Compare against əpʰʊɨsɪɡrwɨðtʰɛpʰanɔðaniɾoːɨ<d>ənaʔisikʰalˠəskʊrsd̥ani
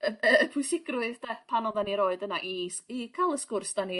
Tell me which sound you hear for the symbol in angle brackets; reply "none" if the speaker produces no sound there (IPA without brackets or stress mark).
d